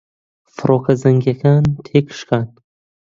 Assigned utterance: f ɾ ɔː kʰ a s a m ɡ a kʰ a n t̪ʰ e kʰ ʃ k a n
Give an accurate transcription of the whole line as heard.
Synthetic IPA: f ɾ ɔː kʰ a z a ŋ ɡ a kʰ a n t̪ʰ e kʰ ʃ k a n